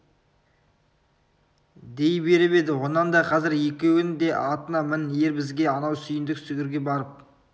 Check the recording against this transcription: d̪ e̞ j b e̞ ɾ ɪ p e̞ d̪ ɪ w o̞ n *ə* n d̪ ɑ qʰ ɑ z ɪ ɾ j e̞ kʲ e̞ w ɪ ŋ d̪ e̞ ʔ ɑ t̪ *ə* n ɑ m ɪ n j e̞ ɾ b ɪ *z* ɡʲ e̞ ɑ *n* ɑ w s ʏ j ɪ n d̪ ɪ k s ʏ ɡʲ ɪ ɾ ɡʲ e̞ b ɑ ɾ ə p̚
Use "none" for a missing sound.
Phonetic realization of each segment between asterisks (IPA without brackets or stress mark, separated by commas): ɑ, ə, z, n